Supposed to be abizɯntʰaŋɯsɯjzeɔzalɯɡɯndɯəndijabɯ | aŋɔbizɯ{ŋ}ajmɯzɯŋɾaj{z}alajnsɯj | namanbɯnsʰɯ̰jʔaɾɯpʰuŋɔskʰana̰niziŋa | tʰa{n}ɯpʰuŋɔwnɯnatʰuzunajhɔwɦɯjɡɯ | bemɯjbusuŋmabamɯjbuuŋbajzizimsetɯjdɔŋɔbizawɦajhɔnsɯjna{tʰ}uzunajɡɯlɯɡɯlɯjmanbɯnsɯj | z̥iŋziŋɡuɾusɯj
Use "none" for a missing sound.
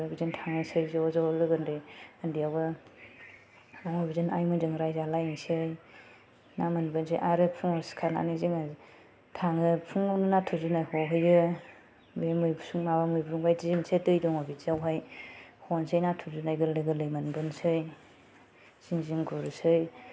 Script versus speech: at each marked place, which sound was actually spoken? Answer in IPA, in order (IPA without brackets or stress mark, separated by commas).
n, z, ŋ, tʰ